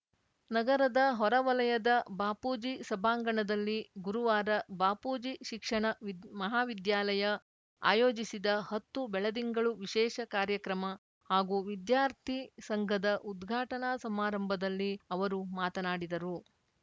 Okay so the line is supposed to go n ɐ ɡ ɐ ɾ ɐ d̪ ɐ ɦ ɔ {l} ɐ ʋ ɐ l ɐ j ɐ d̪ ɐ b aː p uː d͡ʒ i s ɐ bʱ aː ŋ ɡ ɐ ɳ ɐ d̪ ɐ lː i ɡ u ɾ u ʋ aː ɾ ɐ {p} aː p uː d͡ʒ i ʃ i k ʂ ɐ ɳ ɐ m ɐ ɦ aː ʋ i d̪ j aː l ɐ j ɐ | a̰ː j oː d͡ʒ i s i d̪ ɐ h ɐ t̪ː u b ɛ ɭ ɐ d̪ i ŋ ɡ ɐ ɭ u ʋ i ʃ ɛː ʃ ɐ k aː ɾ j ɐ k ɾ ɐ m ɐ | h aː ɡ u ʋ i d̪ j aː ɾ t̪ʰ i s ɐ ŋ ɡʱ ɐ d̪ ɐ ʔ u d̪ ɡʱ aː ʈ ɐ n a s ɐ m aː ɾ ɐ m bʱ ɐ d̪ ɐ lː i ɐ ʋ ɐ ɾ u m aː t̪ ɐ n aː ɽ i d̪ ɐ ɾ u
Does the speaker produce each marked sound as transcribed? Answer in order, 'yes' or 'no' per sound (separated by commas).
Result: no, no